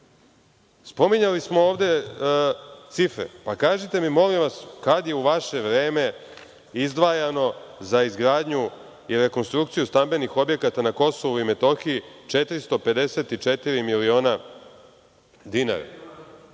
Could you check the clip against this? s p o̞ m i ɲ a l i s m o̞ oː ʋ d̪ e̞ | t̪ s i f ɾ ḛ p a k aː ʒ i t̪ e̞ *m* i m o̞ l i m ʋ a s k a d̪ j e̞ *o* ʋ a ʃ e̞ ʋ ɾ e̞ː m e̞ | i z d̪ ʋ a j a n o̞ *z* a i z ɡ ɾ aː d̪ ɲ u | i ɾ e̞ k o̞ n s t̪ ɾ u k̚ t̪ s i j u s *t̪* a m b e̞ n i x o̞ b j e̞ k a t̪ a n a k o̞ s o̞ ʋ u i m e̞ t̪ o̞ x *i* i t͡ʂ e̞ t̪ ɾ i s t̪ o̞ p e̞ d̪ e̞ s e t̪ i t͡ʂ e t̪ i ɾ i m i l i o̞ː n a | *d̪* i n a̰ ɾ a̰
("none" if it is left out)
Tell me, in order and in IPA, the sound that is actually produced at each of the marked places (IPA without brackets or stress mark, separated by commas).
m, u, z, t̪, i, d̪